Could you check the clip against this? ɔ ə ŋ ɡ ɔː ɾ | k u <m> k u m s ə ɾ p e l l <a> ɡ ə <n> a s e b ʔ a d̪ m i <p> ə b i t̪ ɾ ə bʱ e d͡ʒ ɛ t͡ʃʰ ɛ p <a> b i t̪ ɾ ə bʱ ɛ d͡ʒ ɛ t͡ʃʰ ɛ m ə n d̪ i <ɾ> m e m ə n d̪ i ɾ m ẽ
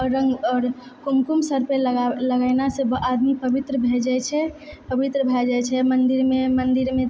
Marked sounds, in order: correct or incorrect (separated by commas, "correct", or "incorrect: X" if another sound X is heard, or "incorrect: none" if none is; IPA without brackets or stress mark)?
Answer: correct, incorrect: ə, correct, correct, incorrect: ə, correct